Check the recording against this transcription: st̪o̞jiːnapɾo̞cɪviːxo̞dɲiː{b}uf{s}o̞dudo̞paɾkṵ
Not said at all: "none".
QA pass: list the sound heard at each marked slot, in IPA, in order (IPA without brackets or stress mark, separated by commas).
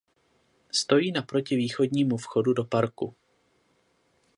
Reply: m, x